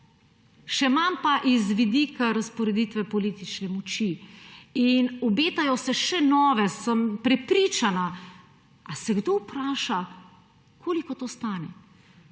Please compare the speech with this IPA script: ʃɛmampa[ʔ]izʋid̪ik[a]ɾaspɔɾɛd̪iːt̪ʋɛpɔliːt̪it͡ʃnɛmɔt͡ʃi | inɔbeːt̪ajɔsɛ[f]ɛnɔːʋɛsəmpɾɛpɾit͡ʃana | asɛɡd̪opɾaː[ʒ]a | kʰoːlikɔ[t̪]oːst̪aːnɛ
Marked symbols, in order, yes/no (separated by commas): yes, yes, no, no, yes